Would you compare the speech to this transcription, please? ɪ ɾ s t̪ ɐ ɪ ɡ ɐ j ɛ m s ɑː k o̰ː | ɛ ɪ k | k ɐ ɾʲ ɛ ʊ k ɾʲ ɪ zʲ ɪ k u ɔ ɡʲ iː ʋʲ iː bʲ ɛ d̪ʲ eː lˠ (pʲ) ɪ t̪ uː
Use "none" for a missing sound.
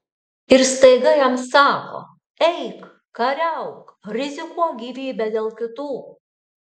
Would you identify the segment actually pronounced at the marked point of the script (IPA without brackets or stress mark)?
kʲ